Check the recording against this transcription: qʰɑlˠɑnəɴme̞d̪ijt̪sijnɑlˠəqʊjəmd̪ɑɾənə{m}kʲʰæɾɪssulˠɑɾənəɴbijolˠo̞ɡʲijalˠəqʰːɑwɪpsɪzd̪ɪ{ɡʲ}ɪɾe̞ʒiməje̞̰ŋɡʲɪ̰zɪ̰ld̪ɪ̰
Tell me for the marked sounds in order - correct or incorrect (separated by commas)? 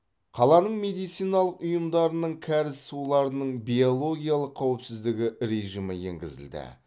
incorrect, correct